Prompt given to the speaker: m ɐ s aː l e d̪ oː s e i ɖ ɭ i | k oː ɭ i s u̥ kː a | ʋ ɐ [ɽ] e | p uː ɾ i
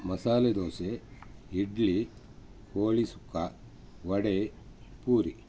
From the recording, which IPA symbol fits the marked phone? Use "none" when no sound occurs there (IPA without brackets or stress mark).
ɽ